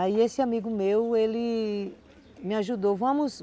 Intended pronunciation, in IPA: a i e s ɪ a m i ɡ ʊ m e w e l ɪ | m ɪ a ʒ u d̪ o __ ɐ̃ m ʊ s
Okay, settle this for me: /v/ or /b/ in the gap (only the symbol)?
v